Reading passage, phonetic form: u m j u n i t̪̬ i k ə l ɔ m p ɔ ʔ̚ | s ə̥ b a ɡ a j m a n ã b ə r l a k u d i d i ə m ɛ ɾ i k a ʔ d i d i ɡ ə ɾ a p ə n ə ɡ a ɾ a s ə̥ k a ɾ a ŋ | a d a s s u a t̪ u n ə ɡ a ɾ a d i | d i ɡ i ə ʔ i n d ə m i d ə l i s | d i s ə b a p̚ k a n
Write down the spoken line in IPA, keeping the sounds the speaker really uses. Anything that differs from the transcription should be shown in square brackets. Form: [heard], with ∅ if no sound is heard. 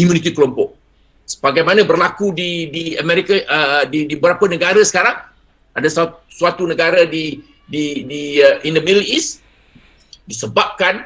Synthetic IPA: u m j u n i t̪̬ i k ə l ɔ m p ɔ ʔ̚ | s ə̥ b a ɡ a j m a n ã b ə r l a k u d i d i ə m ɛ ɾ i k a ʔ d i d i [b] ə ɾ a p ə n ə ɡ a ɾ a s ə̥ k a ɾ a ŋ | a d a s s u a t̪ u n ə ɡ a ɾ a d i | d i [d] i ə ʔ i n d ə m i d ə l i s | d i s ə b a p̚ k a n